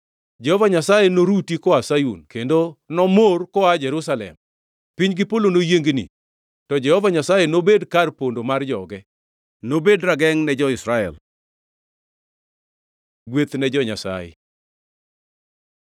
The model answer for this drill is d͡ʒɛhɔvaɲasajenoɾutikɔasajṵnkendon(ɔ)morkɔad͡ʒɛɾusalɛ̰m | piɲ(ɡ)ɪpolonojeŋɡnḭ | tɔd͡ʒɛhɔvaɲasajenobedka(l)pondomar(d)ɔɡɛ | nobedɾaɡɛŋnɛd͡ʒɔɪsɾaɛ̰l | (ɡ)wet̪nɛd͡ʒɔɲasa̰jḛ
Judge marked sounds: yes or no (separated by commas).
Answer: yes, yes, no, no, yes